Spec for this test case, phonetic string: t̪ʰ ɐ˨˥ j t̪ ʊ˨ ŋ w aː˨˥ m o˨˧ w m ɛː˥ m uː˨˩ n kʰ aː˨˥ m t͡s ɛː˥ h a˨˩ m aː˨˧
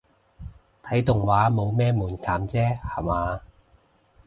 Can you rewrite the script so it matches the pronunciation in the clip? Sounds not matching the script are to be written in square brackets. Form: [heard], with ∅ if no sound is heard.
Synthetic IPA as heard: t̪ʰ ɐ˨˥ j t̪ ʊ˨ ŋ w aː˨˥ m o˨˧ w m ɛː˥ m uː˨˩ n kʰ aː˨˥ m t͡s ɛː˥ h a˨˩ m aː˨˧